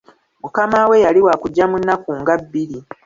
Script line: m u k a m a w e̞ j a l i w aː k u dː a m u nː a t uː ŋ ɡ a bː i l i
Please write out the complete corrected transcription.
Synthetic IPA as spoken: m u k a m a w e̞ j a l i w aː k u ɟː a m u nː a k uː ŋ ɡ a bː i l i